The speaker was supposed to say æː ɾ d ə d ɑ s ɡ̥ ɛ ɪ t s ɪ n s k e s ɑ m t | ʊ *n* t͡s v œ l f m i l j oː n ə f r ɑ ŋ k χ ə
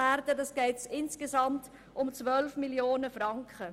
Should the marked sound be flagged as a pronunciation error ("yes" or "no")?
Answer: yes